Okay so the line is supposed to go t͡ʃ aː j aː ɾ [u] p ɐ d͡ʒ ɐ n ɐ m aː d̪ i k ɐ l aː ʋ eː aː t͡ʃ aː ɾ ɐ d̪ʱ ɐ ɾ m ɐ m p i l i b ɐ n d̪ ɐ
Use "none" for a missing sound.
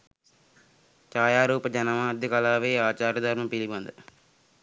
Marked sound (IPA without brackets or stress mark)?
uː